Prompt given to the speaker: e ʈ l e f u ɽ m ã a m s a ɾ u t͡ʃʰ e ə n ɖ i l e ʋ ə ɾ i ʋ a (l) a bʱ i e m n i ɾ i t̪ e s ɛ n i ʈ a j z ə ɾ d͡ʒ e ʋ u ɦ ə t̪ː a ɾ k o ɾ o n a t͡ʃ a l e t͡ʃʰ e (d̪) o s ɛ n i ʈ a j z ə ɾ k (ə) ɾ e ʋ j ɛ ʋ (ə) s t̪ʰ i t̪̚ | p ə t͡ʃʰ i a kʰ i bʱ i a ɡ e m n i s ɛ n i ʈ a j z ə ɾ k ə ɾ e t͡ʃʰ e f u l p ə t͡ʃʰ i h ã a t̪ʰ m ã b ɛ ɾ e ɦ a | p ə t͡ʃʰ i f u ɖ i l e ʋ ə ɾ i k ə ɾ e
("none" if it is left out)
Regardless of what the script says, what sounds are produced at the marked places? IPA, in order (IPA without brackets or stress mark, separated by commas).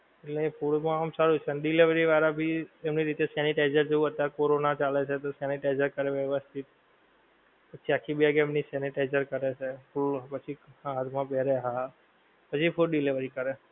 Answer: ɾ, t̪, ə, ə